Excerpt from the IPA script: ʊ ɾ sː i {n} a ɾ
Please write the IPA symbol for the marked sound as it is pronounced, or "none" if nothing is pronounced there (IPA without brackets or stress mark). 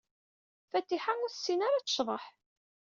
n